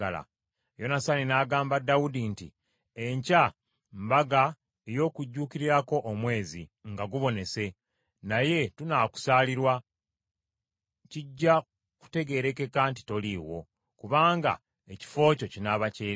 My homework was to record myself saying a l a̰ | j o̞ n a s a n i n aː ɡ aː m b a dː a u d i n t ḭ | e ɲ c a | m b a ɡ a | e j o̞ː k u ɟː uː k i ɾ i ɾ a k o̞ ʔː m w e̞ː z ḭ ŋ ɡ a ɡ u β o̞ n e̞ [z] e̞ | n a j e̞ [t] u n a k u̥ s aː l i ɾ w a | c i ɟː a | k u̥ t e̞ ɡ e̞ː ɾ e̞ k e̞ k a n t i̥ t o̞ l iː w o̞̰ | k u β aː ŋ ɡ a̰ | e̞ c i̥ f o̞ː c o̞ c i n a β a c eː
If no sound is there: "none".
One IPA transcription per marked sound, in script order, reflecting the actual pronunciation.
s, t

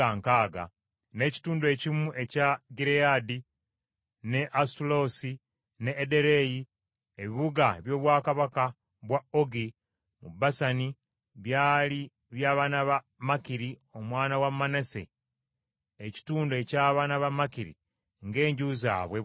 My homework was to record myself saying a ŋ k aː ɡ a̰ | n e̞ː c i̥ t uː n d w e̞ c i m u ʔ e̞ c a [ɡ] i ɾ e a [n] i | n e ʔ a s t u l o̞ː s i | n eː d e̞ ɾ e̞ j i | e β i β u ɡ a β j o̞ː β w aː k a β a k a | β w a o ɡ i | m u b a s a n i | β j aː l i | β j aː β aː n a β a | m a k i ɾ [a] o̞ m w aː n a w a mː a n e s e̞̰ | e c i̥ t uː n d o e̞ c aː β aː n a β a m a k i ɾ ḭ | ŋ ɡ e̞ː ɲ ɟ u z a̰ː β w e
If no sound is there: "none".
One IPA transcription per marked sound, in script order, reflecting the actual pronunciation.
ɡ, d, i

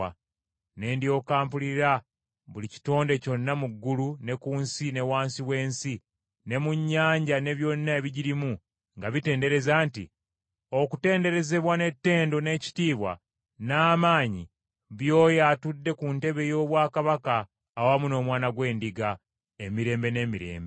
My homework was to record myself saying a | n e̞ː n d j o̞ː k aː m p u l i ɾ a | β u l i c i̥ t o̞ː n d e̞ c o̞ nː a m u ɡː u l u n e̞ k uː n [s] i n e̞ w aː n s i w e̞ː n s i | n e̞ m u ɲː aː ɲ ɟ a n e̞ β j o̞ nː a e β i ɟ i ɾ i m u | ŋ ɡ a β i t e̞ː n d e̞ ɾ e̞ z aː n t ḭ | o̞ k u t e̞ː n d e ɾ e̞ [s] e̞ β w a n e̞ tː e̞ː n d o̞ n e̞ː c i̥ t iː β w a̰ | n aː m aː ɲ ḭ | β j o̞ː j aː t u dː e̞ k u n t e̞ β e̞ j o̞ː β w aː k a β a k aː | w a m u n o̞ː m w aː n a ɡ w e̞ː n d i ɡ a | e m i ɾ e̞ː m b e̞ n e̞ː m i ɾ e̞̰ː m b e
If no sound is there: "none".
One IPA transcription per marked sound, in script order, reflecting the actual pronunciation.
s, z

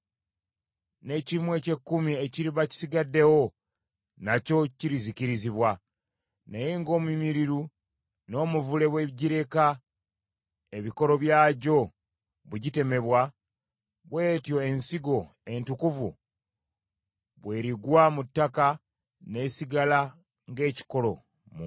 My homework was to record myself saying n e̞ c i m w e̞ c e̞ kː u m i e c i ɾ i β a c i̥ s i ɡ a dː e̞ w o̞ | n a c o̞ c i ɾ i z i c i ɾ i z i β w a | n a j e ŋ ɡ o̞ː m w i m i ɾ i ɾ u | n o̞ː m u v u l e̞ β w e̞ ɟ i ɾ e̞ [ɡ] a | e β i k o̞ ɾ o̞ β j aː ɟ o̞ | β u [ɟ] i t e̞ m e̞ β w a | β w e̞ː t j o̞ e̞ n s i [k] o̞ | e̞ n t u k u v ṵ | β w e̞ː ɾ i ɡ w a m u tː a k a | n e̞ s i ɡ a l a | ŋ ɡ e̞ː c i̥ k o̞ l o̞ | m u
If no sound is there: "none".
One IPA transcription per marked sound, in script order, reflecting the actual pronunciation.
k, ɟ, ɡ

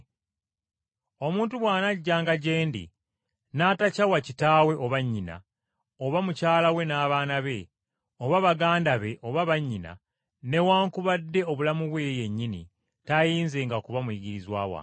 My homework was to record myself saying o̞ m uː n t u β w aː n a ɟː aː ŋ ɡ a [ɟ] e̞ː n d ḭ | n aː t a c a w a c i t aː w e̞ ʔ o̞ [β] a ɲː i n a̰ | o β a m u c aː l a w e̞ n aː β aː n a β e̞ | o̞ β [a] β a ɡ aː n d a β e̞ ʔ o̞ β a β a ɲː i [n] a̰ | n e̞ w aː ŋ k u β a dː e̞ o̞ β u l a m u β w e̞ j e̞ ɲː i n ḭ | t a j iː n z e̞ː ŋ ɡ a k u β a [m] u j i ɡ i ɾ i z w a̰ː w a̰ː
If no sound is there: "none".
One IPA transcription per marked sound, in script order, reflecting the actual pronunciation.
ɟ, β, a, n, m

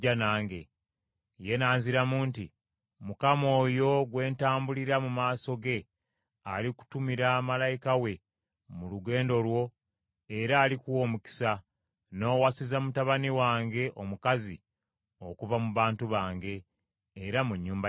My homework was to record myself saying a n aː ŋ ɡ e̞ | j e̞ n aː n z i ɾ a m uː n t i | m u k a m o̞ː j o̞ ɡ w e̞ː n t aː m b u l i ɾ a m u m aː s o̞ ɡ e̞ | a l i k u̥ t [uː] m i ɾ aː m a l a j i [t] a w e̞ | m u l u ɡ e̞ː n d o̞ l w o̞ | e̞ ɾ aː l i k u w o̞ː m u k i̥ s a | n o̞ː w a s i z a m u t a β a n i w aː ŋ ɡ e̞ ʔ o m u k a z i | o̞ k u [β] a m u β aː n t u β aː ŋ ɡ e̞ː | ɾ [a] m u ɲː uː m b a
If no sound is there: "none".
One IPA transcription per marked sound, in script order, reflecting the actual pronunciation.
u, k, v, a

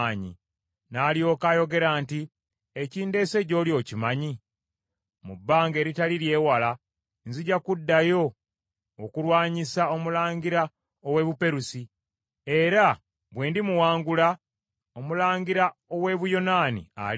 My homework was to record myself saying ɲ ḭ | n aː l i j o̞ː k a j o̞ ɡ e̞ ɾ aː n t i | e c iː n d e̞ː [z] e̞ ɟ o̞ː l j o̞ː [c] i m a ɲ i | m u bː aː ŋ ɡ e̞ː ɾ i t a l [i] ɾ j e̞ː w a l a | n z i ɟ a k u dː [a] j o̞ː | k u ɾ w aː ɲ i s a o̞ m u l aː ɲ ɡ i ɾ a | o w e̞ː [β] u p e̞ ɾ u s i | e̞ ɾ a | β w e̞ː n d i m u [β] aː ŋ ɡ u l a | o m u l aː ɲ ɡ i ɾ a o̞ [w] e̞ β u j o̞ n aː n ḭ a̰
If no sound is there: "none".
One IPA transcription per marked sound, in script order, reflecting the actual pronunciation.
s, c, i, a, β, w, w

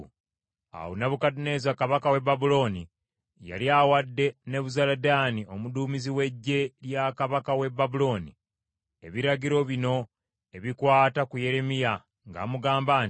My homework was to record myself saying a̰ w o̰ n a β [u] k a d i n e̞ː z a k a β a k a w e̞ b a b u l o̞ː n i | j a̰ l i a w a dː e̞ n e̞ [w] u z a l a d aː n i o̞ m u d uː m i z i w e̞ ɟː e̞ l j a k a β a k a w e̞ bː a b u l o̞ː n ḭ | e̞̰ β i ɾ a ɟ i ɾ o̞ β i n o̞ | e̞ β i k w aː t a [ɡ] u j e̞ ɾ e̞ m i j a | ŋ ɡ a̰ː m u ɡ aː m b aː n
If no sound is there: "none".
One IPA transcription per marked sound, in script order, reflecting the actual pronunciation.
u, β, k

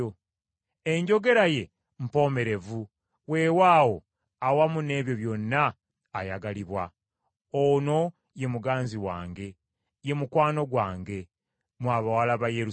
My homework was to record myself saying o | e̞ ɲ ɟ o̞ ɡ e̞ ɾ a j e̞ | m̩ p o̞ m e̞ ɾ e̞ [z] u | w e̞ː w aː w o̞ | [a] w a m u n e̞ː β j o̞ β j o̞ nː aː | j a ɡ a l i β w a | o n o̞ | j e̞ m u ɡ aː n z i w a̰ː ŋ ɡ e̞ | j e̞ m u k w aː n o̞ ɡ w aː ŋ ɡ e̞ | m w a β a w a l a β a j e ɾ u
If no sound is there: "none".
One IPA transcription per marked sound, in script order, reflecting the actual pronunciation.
v, a

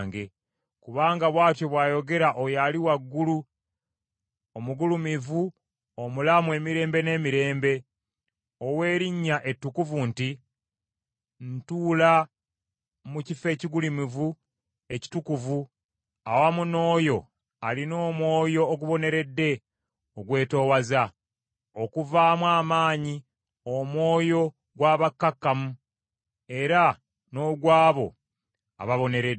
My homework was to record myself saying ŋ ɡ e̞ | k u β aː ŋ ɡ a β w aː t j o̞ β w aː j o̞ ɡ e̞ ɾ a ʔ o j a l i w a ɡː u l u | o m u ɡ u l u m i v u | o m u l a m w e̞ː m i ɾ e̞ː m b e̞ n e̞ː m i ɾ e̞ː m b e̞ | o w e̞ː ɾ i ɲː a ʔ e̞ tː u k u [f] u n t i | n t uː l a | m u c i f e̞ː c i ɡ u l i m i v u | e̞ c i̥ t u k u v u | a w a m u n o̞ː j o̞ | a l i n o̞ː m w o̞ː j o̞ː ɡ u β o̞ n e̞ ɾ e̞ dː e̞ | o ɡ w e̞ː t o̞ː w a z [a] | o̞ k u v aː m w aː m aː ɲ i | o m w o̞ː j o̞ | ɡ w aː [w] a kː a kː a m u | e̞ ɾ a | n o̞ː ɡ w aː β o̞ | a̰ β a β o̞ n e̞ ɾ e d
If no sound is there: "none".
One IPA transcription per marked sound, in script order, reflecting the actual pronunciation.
v, a, β

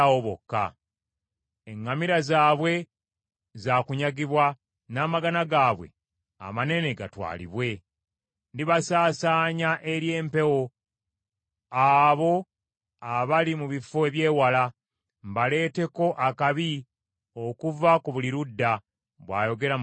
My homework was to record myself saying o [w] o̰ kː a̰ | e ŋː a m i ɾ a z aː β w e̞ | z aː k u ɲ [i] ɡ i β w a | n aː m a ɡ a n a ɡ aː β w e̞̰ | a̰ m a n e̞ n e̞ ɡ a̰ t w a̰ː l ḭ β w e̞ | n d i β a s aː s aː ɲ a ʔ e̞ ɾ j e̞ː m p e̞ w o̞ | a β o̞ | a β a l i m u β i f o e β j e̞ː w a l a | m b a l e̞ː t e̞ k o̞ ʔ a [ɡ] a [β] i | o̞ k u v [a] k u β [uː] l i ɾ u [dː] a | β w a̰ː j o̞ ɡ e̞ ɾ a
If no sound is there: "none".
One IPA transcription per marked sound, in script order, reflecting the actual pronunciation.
β, a, k, β, a, u, dː

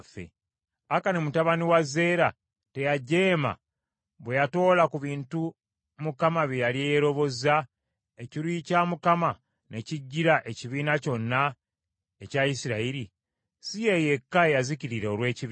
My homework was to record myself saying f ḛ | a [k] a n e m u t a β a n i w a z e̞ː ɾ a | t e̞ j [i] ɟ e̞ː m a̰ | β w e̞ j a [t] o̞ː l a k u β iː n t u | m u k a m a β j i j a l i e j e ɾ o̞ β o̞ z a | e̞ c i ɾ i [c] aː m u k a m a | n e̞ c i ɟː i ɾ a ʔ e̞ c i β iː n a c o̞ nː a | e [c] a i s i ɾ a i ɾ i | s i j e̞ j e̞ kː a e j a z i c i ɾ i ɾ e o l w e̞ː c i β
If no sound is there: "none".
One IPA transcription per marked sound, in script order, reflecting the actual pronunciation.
k, a, t, c, c

